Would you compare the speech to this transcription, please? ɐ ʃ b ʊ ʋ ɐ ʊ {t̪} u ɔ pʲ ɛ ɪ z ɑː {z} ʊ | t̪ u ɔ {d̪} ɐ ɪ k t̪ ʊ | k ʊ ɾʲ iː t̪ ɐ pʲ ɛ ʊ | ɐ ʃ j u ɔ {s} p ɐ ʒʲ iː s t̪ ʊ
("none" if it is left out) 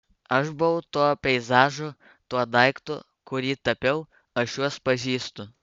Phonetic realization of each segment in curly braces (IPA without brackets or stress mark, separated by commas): t̪, ʒ, d̪, s